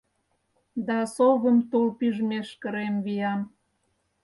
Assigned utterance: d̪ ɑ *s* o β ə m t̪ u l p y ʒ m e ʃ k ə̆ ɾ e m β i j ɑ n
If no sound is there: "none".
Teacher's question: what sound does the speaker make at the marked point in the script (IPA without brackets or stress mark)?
s